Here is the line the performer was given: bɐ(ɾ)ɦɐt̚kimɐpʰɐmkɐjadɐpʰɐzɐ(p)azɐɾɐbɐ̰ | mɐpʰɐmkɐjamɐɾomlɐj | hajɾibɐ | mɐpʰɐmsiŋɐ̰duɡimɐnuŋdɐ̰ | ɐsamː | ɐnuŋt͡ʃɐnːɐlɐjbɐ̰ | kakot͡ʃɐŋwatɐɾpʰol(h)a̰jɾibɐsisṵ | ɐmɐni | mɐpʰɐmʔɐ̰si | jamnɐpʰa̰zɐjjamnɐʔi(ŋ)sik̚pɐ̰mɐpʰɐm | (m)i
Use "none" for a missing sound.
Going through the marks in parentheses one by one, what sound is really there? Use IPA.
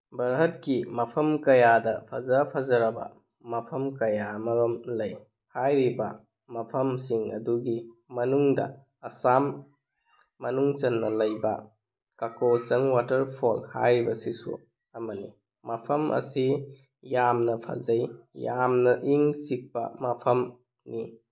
ɾ, pʰ, h, ŋ, n

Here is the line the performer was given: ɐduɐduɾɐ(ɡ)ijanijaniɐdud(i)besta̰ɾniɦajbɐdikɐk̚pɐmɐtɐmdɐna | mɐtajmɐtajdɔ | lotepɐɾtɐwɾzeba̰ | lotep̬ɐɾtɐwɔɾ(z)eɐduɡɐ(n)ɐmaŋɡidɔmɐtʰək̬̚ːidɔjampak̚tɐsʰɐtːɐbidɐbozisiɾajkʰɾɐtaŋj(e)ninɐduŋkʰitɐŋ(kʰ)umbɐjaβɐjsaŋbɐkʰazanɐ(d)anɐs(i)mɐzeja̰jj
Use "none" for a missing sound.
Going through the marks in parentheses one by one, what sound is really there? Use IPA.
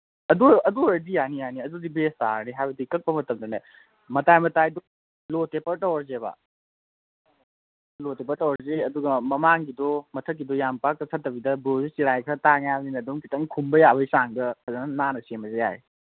d, i, z, m, a, kʰ, n, e

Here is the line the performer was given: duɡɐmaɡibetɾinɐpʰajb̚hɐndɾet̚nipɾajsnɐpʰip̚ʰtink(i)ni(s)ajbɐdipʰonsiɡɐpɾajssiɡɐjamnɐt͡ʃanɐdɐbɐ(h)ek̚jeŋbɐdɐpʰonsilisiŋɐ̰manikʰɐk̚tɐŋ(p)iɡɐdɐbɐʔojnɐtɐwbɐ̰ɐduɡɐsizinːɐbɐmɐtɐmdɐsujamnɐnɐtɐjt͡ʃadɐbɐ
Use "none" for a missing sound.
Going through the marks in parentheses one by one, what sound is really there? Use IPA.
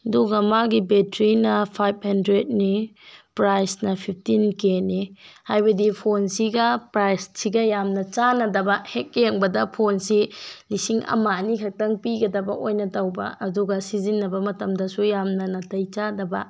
e, h, h, p

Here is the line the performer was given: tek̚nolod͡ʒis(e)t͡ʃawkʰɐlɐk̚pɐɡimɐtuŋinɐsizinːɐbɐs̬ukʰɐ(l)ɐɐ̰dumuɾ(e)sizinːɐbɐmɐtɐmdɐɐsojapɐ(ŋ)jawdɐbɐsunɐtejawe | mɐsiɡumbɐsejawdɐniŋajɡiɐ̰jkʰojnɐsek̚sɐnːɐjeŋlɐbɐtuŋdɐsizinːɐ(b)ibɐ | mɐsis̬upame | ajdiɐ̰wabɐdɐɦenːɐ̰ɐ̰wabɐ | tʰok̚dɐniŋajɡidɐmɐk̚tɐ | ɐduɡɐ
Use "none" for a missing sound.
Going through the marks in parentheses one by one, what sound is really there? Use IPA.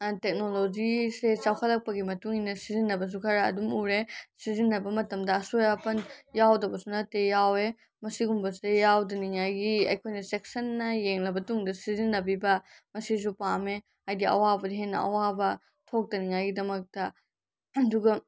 e, ɾ, e, n, b

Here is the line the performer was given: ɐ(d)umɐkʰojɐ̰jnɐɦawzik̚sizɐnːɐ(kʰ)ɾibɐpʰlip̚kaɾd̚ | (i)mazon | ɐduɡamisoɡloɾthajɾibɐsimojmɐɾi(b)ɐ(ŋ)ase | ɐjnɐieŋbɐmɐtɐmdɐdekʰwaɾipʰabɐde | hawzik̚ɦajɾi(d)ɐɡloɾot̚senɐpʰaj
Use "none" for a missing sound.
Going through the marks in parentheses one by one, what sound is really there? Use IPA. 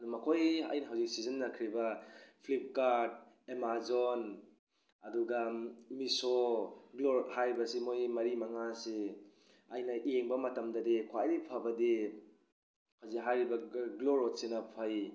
d, kʰ, e, m, ŋ, b

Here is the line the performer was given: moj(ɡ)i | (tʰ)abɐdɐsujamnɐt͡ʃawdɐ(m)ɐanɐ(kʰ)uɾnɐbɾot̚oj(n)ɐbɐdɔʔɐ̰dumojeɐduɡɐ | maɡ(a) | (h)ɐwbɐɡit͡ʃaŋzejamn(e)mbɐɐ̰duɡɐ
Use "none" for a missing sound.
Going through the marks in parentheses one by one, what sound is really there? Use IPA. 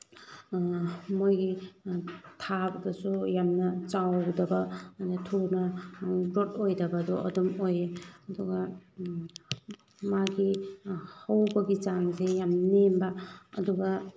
ɡ, tʰ, b, tʰ, d, i, h, e

